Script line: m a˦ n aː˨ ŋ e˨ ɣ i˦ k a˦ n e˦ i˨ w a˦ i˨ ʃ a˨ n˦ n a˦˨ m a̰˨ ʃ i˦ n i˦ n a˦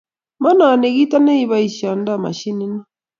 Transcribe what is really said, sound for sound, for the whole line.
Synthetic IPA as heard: m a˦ n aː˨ n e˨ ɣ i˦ t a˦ n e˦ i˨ β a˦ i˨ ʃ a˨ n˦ d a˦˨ m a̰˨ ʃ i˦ n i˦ n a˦